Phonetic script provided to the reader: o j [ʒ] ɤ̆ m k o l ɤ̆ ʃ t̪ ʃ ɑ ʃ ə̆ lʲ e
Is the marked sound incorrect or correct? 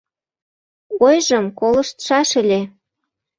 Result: correct